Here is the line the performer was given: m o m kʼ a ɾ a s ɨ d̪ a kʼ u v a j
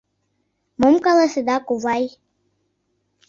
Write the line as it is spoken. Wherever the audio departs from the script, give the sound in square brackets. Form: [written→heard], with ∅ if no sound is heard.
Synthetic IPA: m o m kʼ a [ɾ→l] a s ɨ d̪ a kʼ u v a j